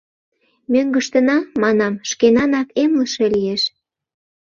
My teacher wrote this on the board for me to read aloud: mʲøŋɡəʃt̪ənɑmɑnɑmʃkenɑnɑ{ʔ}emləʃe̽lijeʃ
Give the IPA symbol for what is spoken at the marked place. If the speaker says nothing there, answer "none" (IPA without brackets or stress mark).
k